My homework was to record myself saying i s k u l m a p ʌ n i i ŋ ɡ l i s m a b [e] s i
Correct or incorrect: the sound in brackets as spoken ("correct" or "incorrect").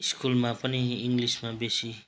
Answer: correct